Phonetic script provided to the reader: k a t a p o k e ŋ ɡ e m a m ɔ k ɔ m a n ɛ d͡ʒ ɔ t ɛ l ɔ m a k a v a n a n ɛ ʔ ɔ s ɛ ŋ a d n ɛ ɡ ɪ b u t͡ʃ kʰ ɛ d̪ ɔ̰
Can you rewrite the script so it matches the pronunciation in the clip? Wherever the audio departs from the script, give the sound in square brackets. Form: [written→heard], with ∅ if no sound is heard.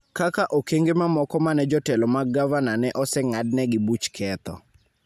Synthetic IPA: k a [t→k] a [p→ʔ] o k e ŋ ɡ e m a m ɔ k ɔ m a n ɛ d͡ʒ ɔ t ɛ l ɔ m a [k→ɡ] a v a n a n ɛ ʔ ɔ s ɛ ŋ a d n ɛ ɡ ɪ b u t͡ʃ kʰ ɛ [d̪→t̪] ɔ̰